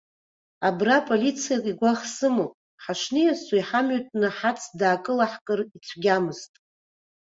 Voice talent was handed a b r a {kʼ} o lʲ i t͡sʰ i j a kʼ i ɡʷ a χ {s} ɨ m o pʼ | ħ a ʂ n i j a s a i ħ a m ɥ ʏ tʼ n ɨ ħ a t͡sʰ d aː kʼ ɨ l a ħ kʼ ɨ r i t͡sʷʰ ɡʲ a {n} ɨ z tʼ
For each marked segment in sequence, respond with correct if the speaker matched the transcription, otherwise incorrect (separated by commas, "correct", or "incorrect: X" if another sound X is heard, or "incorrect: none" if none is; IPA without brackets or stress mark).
incorrect: pʼ, correct, incorrect: m